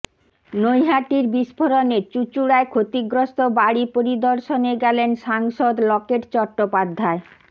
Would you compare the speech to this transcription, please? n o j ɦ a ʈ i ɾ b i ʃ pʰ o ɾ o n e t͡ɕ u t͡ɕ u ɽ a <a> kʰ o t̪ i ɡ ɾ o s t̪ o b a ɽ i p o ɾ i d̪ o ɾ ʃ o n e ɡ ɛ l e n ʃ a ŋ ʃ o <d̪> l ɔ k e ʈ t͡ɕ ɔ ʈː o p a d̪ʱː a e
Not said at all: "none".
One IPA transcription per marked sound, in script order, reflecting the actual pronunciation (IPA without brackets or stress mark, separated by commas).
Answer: e, d̪